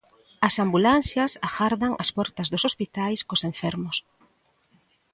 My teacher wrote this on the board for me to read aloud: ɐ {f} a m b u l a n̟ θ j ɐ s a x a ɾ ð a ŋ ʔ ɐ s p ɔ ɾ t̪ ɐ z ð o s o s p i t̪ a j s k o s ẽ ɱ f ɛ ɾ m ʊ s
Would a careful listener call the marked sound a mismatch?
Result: yes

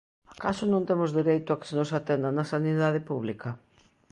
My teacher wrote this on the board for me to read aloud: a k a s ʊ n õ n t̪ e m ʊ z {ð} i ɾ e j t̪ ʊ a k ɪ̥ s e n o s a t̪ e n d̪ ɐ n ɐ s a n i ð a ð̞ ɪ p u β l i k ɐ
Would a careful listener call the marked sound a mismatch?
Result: no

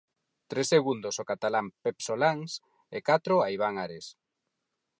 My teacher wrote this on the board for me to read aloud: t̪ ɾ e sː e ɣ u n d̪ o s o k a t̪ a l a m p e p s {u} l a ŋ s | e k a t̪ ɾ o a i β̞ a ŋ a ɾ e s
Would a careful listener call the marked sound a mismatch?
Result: yes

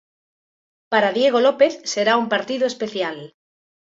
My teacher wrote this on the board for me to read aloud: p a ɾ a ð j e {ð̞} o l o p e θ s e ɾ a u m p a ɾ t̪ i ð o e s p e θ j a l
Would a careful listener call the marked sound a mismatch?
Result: yes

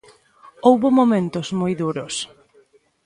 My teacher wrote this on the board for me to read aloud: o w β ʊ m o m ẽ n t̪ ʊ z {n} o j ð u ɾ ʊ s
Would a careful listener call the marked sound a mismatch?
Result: yes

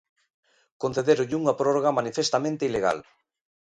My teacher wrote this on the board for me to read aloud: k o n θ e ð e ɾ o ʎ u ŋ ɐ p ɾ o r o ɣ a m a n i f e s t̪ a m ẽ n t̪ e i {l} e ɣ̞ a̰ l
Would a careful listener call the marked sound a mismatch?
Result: no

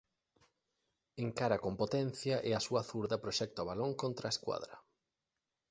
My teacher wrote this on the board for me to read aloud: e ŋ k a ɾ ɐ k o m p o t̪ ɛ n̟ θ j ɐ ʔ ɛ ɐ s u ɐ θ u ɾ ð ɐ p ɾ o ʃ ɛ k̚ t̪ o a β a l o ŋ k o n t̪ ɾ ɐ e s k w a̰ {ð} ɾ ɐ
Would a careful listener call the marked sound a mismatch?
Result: no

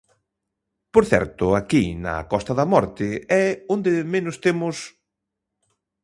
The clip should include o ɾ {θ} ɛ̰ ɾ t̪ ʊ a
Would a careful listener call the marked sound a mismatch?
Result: no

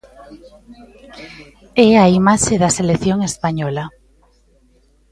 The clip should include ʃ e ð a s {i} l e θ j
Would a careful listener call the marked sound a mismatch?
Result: yes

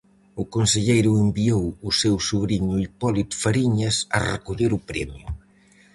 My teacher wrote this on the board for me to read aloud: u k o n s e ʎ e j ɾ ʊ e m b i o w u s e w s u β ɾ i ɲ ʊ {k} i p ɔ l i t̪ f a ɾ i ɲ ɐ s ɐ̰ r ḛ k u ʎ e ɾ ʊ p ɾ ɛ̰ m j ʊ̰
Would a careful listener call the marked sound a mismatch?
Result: yes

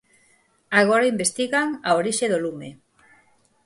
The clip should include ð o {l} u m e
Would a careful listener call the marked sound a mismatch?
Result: no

